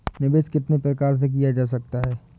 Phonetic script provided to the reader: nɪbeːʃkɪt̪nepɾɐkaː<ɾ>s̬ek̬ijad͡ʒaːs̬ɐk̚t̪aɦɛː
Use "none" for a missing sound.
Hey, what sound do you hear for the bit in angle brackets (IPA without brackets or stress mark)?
ɾ